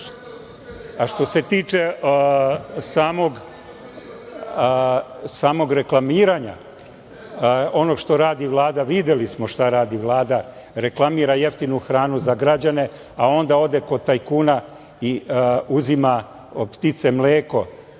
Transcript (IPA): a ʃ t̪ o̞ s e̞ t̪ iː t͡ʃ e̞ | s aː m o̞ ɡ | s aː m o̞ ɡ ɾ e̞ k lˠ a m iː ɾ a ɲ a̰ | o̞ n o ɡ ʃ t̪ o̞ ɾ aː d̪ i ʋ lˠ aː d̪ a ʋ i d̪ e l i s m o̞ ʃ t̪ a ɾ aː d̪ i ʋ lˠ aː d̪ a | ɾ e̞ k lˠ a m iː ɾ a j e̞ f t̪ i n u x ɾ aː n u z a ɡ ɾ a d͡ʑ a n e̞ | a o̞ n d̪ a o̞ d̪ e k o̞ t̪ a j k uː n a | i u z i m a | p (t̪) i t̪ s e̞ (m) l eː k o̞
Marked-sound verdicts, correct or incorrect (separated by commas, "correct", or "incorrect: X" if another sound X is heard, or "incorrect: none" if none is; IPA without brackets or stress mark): correct, correct